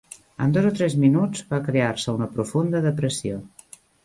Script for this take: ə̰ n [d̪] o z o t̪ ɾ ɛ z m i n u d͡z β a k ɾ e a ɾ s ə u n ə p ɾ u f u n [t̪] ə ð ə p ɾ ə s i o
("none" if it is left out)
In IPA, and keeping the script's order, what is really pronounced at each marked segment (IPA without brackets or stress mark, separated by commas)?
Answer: d̪, d̪